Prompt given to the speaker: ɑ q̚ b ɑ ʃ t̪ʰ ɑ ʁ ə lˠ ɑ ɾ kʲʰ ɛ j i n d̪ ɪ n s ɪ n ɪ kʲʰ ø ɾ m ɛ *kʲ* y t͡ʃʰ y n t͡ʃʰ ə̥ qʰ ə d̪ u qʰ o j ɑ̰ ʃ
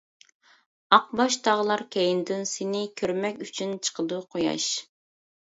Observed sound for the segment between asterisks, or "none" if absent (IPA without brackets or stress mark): kʲ